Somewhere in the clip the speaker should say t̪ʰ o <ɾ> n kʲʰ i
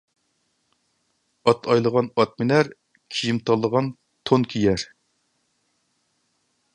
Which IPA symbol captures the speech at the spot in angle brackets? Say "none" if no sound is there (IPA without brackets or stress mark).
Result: none